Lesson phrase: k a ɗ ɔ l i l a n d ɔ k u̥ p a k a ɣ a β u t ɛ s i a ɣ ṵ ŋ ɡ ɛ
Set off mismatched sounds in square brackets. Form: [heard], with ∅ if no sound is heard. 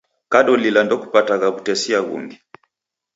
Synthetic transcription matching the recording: k a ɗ ɔ l i l a n d ɔ k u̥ p a [t] a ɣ a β u t ɛ s i a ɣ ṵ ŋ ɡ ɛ